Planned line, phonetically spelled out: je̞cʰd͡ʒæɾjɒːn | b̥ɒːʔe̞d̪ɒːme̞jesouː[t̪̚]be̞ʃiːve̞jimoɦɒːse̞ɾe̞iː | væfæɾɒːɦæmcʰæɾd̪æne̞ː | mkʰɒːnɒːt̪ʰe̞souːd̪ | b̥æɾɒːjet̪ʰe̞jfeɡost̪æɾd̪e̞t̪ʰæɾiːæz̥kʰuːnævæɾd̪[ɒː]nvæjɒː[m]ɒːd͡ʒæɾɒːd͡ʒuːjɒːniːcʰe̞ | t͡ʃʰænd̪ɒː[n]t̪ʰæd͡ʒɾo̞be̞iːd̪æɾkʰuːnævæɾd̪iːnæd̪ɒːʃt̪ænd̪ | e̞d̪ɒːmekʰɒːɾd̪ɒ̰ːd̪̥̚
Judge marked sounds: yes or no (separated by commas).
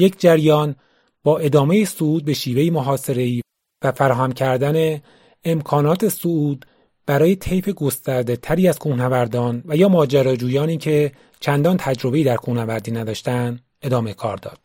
no, yes, yes, yes